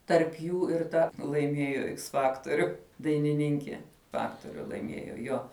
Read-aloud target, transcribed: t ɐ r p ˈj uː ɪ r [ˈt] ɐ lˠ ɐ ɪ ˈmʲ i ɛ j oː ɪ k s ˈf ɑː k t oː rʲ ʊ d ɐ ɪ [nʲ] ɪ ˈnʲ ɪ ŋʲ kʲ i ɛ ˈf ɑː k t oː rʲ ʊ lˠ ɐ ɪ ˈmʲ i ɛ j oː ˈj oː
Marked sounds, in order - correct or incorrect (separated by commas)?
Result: correct, correct